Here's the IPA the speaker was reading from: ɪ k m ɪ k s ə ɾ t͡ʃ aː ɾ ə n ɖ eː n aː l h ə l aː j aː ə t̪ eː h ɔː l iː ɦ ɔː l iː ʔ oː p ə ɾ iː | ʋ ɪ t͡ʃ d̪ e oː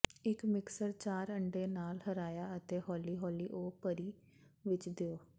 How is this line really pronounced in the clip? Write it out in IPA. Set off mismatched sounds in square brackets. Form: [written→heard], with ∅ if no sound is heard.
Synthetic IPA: ɪ k m ɪ k s ə ɾ t͡ʃ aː ɾ ə [n→ɳ] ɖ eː n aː l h ə [l→ɾ] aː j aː ə t̪ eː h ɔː l iː ɦ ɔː l iː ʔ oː p ə ɾ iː | ʋ ɪ t͡ʃ d̪ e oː